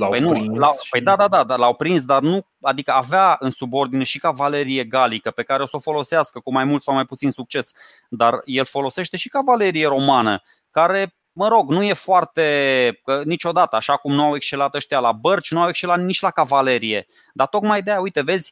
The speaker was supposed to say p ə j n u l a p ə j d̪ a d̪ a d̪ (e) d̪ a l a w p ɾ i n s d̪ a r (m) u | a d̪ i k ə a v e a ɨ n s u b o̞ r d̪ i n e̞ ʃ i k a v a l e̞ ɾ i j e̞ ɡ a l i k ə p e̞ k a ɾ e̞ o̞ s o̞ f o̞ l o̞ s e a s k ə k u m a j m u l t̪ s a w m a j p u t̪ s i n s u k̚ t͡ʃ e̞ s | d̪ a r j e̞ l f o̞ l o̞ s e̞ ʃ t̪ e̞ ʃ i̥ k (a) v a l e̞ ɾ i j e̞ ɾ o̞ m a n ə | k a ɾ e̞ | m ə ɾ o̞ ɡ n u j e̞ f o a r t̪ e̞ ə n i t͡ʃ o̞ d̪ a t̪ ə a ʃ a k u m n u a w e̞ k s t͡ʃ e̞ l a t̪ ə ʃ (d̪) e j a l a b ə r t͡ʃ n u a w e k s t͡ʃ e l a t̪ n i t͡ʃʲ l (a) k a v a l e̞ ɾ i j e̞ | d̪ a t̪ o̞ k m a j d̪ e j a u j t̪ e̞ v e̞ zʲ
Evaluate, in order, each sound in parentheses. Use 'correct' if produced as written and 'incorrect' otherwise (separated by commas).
incorrect, incorrect, correct, incorrect, correct